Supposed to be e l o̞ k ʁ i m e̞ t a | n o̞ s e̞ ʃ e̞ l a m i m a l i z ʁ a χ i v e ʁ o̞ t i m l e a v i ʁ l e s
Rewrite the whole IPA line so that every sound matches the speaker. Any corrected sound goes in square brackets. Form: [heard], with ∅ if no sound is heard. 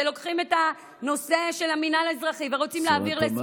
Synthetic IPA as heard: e l o̞ k [χ] i m e̞ t a | n o̞ s e̞ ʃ e̞ l a m i [n] a l [a] z ʁ a χ i v e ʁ o̞ [t͡s] i m l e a v i ʁ l e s